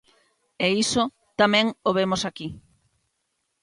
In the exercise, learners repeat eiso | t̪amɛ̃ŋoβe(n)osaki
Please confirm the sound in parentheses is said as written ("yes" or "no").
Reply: no